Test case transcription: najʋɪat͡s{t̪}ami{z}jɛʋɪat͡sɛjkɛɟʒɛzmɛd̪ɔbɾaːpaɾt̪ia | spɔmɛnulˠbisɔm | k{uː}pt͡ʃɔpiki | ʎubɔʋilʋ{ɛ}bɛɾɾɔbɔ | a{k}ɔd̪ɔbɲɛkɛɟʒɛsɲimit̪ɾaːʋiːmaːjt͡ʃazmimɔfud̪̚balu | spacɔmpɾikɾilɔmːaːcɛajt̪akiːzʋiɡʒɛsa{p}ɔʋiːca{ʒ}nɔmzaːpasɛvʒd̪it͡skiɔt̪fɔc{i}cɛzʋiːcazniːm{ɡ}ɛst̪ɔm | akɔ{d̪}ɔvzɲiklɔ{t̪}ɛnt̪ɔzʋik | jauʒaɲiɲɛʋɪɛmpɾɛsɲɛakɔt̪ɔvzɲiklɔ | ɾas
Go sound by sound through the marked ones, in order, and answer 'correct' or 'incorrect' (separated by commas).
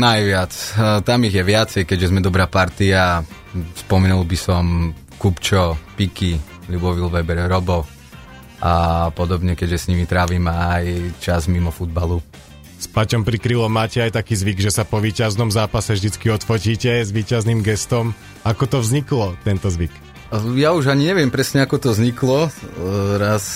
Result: correct, incorrect, incorrect, correct, incorrect, correct, incorrect, incorrect, correct, incorrect, correct